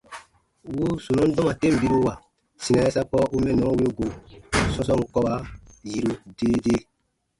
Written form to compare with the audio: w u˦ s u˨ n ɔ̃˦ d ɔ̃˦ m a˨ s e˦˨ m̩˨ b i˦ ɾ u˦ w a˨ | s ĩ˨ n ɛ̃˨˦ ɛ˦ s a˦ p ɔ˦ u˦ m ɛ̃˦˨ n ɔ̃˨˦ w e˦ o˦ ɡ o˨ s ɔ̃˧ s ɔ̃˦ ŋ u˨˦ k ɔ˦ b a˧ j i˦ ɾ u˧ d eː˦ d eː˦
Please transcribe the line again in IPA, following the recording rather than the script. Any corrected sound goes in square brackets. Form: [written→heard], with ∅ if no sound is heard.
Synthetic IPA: w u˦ s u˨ n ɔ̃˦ d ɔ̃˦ m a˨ [s→t] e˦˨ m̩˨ b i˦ ɾ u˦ w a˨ | s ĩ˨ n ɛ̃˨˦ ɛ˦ s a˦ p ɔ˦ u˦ m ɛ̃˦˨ n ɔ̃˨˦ w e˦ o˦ ɡ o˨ s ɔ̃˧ s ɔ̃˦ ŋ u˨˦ k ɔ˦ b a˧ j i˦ ɾ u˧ d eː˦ d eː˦